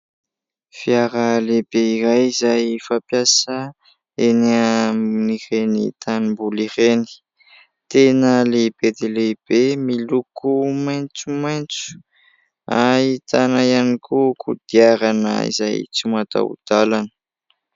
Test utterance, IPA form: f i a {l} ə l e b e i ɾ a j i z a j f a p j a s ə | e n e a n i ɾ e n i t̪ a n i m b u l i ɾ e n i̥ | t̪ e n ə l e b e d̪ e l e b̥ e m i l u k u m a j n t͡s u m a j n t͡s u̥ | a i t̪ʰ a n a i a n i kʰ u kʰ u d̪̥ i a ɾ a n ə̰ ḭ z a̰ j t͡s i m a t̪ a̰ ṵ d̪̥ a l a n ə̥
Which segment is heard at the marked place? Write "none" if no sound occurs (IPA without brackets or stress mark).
ɾ